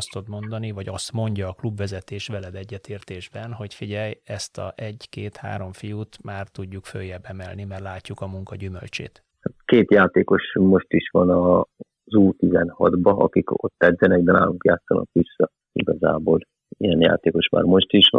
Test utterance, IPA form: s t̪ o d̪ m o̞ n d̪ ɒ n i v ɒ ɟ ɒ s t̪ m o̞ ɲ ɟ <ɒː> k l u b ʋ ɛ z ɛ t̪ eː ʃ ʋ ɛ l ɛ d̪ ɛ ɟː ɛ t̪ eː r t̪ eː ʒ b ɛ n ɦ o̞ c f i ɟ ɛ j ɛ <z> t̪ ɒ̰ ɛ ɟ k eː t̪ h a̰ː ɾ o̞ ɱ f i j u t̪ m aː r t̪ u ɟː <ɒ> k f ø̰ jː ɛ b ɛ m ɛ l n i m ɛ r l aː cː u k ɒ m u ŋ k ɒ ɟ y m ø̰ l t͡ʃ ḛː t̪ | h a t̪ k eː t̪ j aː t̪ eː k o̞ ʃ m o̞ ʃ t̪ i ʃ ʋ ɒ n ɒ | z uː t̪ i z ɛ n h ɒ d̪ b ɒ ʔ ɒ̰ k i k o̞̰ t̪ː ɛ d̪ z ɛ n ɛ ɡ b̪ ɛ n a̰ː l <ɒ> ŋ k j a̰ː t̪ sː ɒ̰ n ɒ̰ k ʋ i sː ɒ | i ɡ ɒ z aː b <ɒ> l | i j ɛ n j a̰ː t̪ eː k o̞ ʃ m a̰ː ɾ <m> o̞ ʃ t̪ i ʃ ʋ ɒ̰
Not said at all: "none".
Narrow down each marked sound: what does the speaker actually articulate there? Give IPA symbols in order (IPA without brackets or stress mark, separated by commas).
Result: ɒː, s, u, u, o, m